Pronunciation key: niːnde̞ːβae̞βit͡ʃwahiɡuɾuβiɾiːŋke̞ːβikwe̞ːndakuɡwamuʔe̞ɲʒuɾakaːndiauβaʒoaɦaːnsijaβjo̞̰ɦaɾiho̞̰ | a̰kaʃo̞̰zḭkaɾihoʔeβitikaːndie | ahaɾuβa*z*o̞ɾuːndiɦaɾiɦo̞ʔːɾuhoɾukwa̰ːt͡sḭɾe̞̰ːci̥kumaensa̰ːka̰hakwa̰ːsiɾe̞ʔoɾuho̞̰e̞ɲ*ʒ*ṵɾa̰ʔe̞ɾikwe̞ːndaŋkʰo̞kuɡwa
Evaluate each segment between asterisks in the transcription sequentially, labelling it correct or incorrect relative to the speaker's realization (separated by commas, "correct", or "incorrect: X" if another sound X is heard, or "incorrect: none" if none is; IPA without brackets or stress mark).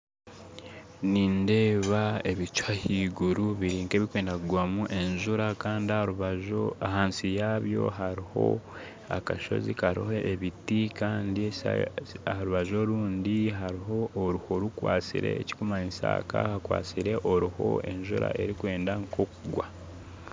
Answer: incorrect: ʒ, correct